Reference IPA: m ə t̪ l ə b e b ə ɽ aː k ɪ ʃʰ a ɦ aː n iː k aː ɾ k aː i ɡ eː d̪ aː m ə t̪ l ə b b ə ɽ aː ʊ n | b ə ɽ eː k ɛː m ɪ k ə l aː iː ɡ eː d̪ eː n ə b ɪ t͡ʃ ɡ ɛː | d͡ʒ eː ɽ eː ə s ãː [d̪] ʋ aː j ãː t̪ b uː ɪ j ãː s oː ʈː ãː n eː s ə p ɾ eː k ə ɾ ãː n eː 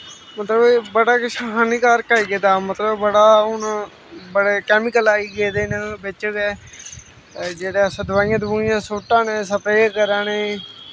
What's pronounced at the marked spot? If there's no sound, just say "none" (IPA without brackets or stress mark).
d̪